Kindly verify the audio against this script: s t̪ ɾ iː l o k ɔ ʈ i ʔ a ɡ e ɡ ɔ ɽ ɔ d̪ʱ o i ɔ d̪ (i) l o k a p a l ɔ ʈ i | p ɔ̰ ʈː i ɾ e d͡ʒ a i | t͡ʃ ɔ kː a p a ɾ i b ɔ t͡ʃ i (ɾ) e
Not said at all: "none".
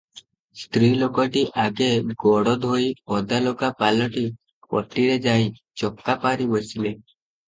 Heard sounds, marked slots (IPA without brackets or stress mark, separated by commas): a, l